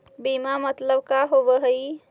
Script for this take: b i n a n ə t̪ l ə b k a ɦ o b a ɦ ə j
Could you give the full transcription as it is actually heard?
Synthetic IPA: b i m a m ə t̪ l ə b k a ɦ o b ə ɦ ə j